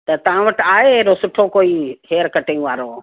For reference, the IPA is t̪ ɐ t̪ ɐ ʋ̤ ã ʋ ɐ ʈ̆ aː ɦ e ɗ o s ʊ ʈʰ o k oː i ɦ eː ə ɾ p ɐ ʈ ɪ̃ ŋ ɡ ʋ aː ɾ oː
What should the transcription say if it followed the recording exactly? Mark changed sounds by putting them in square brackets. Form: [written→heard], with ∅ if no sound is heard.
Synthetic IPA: t̪ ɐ t̪ ɐ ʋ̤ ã ʋ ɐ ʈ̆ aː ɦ e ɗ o s ʊ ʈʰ o k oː i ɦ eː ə ɾ [p→k] ɐ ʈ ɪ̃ ŋ ɡ ʋ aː ɾ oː

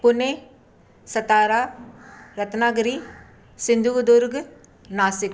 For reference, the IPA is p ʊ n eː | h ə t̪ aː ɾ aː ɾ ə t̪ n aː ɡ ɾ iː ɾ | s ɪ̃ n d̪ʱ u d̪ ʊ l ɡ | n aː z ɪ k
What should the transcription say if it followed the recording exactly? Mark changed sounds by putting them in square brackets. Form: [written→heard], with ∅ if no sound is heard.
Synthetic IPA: p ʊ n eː | [h→s] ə t̪ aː ɾ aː ɾ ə t̪ n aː ɡ ɾ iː [ɾ→∅] | s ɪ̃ n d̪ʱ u d̪ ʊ [l→ɾ] ɡ | n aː [z→s] ɪ k

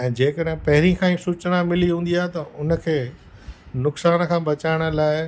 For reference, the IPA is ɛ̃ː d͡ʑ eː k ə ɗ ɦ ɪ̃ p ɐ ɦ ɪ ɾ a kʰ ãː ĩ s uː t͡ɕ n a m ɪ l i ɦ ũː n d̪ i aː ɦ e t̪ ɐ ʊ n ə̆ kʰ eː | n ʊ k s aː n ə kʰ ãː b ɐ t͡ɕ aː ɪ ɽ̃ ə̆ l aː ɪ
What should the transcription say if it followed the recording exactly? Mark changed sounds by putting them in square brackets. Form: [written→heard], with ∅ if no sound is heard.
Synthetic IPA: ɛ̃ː d͡ʑ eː k ə ɗ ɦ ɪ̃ p ɐ ɦ ɪ ɾ [a→i] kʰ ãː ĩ s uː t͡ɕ n a m ɪ l i ɦ ũː n d̪ i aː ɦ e t̪ ɐ ʊ n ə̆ kʰ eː | n ʊ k s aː n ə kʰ ãː b ɐ t͡ɕ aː ɪ ɽ̃ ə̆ l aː ɪ

